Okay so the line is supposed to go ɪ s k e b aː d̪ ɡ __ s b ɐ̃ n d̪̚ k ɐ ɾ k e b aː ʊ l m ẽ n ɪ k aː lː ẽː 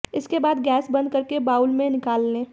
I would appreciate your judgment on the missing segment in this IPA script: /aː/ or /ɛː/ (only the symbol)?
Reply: ɛː